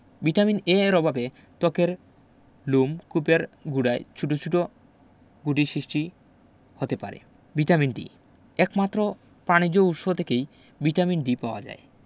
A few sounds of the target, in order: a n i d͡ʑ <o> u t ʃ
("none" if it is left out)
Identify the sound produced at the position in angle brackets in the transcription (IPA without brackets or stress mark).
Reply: o